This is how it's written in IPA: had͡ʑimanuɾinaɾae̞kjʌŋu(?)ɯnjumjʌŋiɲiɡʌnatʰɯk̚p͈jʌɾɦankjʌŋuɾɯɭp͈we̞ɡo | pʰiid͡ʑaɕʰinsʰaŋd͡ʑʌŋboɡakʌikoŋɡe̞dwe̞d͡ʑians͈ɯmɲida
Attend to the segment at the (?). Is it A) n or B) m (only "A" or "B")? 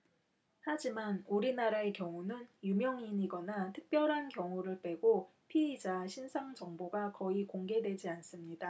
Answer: A